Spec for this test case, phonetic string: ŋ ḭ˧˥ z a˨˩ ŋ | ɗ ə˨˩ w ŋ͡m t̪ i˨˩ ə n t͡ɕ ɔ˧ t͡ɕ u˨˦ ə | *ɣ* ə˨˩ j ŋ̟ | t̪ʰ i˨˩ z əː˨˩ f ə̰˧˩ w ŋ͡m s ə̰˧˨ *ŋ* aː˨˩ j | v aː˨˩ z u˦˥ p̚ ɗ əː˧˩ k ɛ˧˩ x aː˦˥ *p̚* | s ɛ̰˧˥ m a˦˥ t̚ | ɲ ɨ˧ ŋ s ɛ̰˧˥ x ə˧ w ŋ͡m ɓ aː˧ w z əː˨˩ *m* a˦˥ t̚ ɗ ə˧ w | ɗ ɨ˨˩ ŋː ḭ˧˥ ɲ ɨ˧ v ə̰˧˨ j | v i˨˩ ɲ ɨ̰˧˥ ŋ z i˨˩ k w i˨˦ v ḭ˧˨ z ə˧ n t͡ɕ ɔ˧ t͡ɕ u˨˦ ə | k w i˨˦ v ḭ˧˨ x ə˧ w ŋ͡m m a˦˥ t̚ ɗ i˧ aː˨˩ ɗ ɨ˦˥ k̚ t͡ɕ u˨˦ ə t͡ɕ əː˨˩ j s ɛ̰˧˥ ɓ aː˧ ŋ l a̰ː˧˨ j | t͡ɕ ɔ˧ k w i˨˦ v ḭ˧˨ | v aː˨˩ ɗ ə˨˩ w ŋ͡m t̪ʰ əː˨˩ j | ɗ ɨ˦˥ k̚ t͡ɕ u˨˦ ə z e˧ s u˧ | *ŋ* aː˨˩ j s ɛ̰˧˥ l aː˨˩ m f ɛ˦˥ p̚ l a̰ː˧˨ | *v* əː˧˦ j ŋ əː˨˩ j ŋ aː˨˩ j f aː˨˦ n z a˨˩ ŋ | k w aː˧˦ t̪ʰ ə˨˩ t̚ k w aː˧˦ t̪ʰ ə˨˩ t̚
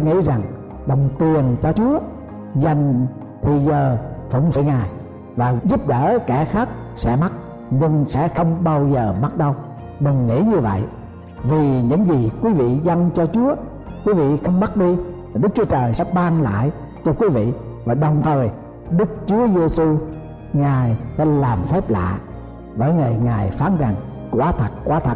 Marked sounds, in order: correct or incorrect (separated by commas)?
incorrect, correct, incorrect, correct, correct, correct